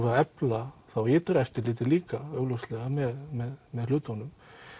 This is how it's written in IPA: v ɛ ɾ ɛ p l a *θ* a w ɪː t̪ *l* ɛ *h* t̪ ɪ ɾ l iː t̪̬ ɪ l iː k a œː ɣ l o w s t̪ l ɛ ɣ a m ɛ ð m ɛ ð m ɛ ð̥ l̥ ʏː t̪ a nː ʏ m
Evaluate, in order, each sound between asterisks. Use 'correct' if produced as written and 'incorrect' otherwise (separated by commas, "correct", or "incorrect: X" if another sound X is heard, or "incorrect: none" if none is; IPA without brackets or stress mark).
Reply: correct, incorrect: ɾ, incorrect: f